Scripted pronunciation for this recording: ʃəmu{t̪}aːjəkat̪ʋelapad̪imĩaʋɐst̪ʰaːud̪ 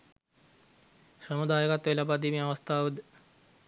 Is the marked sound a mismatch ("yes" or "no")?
yes